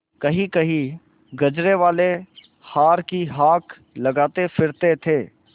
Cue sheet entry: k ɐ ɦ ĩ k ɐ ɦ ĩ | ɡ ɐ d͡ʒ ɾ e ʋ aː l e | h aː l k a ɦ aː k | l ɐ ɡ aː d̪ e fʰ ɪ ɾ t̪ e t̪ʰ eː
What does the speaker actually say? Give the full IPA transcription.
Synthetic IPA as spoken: k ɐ ɦ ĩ k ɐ ɦ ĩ | ɡ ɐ d͡ʒ ɾ e ʋ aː l e | h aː ɾ k i ɦ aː k | l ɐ ɡ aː t̪ e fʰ ɪ ɾ t̪ e t̪ʰ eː